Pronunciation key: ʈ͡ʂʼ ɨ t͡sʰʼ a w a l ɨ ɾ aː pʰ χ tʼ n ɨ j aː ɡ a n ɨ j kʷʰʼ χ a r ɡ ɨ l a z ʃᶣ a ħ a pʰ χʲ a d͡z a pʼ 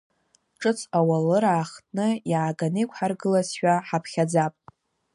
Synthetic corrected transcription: ʈ͡ʂʼ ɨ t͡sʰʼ a w a l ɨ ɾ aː χ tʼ n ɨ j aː ɡ a n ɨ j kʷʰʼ ħ a r ɡ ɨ l a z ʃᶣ a ħ a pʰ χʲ a d͡z a pʼ